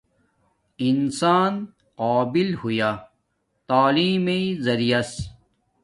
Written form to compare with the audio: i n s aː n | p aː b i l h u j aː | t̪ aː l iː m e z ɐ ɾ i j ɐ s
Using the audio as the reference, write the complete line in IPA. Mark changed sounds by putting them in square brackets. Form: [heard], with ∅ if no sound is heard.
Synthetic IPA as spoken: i n s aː n | [q] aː b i l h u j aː | t̪ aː l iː m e z ɐ ɾ i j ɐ s